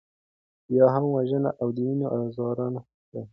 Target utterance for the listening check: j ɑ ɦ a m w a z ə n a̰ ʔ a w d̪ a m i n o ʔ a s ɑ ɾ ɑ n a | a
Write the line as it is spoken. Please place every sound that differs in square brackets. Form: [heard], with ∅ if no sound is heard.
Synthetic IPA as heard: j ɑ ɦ a m w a [ʒ] ə n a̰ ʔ a w d̪ [ə] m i n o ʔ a [z] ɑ ɾ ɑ n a | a